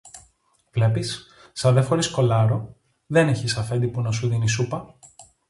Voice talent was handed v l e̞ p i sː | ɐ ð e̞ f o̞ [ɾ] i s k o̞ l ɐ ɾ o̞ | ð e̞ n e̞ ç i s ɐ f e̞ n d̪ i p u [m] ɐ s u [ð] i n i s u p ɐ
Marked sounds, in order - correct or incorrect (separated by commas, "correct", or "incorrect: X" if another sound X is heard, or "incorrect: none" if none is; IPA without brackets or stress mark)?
correct, incorrect: n, correct